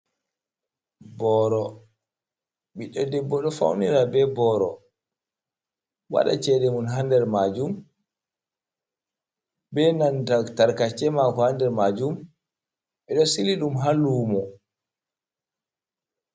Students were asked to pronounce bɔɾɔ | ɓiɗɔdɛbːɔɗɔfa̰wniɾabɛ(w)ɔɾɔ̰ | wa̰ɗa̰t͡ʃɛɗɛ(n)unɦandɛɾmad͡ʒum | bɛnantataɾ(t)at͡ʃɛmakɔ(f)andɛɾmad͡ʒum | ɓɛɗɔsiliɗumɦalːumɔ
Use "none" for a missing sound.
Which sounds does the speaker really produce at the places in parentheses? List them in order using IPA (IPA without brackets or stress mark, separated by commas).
b, m, k, h